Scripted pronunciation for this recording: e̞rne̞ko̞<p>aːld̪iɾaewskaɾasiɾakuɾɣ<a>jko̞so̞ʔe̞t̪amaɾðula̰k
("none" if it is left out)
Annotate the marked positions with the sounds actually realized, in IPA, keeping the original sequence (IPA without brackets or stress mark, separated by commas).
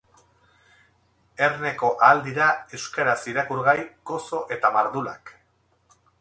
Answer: ʔ, a